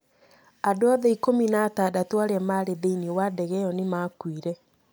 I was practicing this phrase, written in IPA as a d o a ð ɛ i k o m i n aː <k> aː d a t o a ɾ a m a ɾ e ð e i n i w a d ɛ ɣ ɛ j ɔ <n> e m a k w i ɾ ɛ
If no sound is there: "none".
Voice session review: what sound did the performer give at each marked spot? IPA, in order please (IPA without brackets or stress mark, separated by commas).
t, n